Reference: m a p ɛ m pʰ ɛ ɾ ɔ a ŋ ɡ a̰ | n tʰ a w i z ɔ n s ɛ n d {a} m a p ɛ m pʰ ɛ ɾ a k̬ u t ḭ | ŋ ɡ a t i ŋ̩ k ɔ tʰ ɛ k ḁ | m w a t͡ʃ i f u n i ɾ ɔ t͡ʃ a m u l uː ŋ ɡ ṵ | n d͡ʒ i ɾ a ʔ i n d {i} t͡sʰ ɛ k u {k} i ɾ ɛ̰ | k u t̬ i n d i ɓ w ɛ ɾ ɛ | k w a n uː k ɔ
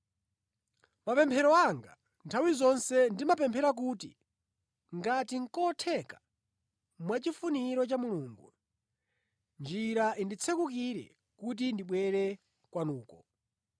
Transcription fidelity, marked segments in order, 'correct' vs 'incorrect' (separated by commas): incorrect, correct, correct